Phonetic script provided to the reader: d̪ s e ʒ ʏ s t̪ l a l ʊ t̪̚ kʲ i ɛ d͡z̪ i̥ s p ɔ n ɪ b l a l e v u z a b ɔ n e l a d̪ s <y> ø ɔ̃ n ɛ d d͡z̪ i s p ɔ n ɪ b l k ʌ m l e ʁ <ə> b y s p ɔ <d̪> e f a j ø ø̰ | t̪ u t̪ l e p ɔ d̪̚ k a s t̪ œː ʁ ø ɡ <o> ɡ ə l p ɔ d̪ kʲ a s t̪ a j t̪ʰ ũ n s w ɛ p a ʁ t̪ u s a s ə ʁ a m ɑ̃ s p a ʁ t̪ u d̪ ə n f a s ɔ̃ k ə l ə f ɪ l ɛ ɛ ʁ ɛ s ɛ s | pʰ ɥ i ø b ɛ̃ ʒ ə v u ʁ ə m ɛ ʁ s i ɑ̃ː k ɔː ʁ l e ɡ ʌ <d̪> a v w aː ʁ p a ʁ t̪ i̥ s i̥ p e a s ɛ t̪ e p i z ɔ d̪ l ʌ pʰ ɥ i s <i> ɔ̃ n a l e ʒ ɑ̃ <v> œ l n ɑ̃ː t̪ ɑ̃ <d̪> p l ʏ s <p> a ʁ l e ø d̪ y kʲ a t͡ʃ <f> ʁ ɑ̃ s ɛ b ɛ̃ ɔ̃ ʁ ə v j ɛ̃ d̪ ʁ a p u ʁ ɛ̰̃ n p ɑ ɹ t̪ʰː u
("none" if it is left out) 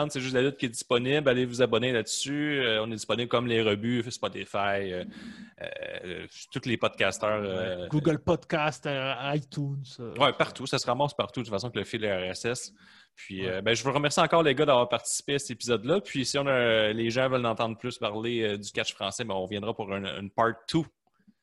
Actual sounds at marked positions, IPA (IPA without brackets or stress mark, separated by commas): y, ə, t̪, u, d̪, i, v, d̪, p, f